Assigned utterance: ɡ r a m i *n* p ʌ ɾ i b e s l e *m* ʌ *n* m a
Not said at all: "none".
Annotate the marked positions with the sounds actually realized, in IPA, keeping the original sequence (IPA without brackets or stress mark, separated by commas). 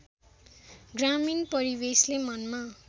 n, m, n